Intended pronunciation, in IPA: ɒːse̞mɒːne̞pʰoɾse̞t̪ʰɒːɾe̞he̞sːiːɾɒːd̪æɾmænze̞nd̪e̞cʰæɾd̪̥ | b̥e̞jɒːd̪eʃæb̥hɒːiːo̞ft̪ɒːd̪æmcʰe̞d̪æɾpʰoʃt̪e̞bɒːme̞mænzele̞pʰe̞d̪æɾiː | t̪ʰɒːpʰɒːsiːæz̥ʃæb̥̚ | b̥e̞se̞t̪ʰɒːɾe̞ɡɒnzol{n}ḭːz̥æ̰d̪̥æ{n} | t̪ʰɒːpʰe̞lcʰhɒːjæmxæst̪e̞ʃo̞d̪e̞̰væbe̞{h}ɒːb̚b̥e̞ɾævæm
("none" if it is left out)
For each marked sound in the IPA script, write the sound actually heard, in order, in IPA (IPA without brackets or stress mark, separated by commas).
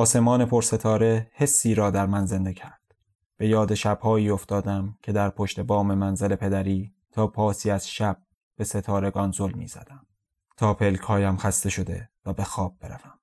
m, m, x